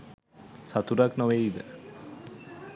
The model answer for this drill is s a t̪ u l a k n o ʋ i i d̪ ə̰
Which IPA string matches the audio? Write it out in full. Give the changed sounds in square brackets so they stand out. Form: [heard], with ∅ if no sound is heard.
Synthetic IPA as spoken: s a t̪ u [ɾ] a k n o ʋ [e] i d̪ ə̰